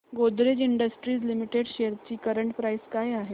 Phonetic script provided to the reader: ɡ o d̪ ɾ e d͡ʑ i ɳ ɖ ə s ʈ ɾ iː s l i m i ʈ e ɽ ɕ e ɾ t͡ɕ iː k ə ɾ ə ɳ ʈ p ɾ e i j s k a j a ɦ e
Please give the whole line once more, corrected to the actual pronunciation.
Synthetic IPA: ɡ o d̪ ɾ e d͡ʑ i ɳ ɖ ə s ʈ ɾ iː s l i m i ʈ e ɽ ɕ e ɾ t͡ɕ iː k ə ɾ ə ɳ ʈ p ɾ a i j s k a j a ɦ e